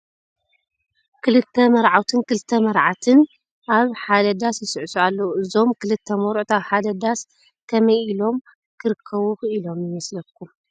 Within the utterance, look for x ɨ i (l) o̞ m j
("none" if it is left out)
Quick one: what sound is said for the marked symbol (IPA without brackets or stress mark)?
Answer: l